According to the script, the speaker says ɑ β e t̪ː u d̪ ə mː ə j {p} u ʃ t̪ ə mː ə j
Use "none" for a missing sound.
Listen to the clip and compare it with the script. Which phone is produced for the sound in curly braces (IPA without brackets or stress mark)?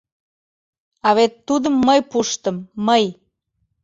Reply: p